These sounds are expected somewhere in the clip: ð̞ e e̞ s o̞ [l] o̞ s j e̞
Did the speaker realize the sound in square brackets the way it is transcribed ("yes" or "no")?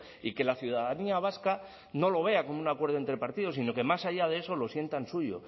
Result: yes